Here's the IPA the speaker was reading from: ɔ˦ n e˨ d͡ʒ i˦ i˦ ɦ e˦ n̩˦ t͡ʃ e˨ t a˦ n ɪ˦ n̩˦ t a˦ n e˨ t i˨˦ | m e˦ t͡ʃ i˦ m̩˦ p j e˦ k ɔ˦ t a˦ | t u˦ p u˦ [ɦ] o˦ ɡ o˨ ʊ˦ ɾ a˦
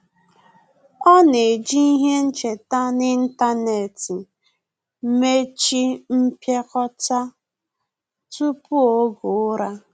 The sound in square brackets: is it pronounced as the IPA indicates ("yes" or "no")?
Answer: no